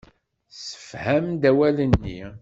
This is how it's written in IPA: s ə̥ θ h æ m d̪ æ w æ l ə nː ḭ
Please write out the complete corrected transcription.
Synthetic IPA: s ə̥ f h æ m d̪ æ w æ l ə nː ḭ

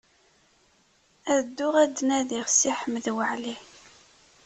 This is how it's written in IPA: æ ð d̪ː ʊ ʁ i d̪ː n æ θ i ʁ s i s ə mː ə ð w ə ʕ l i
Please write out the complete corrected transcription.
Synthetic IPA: æ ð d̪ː ʊ ʁ æ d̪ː n æ ð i ʁ s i ħ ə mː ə ð w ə ʕ l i

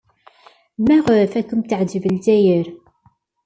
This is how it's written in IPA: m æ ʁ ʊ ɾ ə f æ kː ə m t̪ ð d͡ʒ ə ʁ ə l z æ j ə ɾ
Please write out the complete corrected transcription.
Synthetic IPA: m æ ʁ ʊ ɾ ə f æ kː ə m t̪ ʕ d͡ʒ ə v ə l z æ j ə ɾ

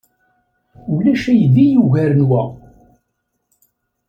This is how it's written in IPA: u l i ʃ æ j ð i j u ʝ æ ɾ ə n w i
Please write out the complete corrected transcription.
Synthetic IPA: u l æ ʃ æ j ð i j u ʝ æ ɾ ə n w æ

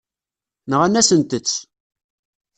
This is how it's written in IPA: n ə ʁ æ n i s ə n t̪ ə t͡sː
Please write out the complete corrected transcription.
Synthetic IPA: n ə ʁ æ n æ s ə n t̪ ə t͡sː

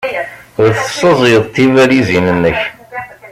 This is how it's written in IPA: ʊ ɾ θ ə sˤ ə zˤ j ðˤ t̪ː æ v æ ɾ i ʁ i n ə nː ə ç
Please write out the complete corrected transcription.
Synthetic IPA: ʊ ɾ θ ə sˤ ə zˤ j ðˤ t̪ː i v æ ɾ i z i n ə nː ə ç

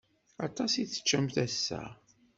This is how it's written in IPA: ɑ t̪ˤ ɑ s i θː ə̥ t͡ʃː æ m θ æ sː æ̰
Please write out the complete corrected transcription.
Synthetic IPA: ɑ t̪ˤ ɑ s i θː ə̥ t͡ʃː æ m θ æ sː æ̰

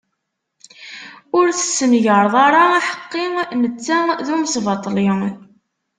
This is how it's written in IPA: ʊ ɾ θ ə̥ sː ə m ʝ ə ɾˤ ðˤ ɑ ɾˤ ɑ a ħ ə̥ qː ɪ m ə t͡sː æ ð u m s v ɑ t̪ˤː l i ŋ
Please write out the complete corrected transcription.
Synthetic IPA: ʊ ɾ θ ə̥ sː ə m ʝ ə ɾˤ ðˤ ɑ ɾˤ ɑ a ħ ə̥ qː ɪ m ə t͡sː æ ð u m s v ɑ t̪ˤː l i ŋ

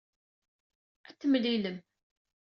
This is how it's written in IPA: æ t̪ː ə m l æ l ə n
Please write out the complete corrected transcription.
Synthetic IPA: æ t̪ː ə m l i l ə m

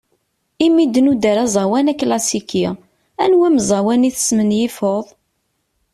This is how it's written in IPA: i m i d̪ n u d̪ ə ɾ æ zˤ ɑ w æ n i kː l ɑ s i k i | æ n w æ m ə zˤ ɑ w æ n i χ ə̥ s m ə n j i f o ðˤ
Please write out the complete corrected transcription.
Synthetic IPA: i m i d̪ n u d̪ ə ɾ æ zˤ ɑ w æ n æ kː l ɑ s i k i | æ n w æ m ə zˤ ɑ w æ n i θ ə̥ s m ə n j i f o ðˤ

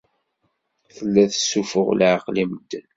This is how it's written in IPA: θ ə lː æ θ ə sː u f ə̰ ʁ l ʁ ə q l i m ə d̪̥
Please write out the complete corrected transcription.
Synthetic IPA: θ ə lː æ θ ə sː u f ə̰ ʁ l ʕ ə q l i m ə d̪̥

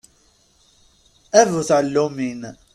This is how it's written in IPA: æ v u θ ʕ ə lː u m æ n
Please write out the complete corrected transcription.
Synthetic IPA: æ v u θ ʕ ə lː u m i n

